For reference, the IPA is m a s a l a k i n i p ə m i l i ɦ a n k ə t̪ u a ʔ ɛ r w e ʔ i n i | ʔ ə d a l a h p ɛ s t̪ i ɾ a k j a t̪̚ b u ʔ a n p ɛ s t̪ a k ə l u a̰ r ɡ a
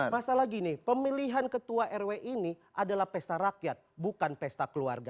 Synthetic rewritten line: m a s a l a ɡ i n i p ə m i l i ɦ a n k ə t̪ u a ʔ ɛ r w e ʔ i n i | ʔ a d a l a h p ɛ s t̪ a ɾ a k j a t̪̚ b u k a n p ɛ s t̪ a k ə l u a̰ r ɡ a